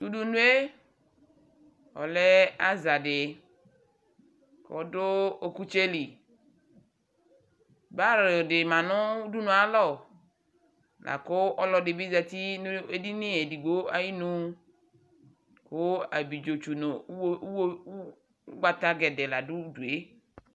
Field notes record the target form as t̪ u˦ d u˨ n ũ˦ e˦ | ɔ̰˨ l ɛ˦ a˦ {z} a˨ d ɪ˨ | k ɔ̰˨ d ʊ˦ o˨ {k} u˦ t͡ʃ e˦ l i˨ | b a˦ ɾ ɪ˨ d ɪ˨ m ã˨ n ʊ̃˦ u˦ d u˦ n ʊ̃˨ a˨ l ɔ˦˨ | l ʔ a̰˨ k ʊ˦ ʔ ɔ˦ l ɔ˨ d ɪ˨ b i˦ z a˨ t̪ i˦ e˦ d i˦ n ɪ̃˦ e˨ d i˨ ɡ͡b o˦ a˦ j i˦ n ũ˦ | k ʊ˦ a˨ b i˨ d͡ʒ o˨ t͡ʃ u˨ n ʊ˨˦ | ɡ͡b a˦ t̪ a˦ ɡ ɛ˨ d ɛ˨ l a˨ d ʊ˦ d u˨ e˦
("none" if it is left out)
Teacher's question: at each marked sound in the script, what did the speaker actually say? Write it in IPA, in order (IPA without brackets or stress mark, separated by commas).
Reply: z, k